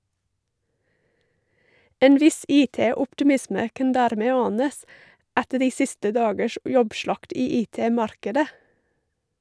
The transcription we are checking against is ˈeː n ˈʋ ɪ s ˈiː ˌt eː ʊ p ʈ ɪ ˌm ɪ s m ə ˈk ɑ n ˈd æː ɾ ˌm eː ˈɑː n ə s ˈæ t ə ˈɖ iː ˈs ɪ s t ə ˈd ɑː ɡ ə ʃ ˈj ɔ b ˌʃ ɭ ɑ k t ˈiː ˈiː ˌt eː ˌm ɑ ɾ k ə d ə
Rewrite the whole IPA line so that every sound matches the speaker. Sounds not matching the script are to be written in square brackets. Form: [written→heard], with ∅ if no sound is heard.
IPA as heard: ˈeː n ˈʋ ɪ s ˈiː ˌt eː ʊ p ʈ ɪ ˌm ɪ s m ə ˈk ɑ n ˈd æː ɾ ˌm eː ˈɑː n ə s ˈæ t ə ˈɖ iː ˈs ɪ s t ə ˈd ɑː ɡ ə ʃ ˈj ɔ b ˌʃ ɭ ɑ k t ˈiː ˈiː ˌt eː ˌm ɑ ɾ k ə d ə